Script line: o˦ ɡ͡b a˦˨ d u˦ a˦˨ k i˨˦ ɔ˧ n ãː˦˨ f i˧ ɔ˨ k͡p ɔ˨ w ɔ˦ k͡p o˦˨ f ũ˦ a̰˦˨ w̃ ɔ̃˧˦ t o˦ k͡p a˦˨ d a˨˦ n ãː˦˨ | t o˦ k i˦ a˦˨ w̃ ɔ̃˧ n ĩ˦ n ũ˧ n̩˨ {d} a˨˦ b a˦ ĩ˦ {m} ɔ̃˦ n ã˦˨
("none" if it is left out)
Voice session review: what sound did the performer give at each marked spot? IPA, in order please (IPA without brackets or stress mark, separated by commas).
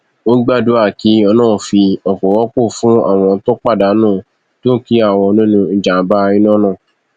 d͡ʒ, n